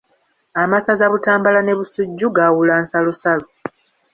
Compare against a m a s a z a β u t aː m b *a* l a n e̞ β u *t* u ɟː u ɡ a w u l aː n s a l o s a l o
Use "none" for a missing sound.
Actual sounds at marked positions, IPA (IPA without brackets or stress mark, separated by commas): a, s